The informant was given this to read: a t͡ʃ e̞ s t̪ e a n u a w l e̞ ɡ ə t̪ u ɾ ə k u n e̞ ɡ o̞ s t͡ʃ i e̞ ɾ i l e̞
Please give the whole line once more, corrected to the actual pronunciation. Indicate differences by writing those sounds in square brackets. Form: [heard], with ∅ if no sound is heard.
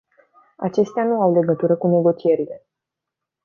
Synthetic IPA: a t͡ʃ e̞ s t̪ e a n u a w l e̞ ɡ ə t̪ u ɾ ə k u n e̞ ɡ o̞ [∅] t͡ʃ i e̞ ɾ i l e̞